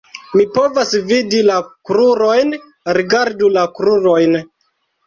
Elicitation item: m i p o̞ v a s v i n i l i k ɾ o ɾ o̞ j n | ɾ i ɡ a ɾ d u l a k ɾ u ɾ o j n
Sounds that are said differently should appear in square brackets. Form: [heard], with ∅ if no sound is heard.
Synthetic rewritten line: m i p o̞ v a s v i [d] i l [a] k ɾ [u] ɾ o̞ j n | ɾ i ɡ a ɾ d u l a k ɾ u ɾ o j n

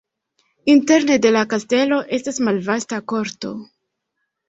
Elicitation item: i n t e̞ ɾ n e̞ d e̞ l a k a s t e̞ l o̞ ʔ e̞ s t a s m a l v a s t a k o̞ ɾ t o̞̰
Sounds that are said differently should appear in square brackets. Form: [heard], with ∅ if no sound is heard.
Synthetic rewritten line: i n t e̞ ɾ n e̞ d e̞ l a k a s t e̞ l o̞ ʔ e̞ s t a s m a l v a s t a k o̞ ɾ t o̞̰

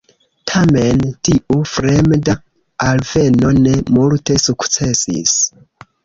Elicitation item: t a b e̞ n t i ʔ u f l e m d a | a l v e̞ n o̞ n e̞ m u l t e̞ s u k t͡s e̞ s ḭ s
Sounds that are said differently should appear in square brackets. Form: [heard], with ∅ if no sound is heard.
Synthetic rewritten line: [tʰ] a [m] e̞ n t i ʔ u f [ɾ] e m d a | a l v e̞ n o̞ n e̞ m u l t e̞ s u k t͡s e̞ s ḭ s

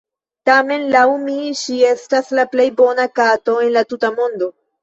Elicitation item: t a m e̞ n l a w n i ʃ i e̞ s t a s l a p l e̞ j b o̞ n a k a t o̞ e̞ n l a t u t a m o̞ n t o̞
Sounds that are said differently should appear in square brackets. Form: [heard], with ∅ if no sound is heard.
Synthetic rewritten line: t a m e̞ n l a w [m] i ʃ i e̞ s t a s l a p l e̞ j b o̞ n a k a t o̞ e̞ n l a t u t a m o̞ n [d] o̞

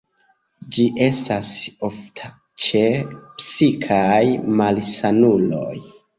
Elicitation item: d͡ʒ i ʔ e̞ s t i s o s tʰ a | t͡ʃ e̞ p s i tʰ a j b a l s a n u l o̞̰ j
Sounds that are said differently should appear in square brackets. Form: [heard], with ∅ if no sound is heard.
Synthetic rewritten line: d͡ʒ i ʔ e̞ s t [a] s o [f] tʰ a | t͡ʃ e̞ p s i [kʰ] a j [m] a l s a n u l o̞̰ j

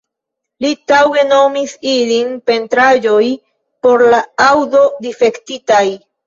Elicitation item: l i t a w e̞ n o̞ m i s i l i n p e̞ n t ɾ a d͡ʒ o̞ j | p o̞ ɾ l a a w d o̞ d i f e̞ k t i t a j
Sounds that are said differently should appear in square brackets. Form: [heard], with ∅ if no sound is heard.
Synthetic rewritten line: l i t a w e̞ n o̞ m i s i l i n p e̞ n t ɾ a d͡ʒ o̞ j | p o̞ ɾ l a a w d o̞ d i f e̞ k t i t a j

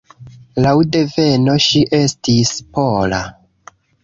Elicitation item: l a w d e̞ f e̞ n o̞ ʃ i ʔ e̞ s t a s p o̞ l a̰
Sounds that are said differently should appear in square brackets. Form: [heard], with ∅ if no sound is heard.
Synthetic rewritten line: l a w d e̞ [v] e̞ n o̞ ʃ i ʔ e̞ s t [i] s p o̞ l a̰

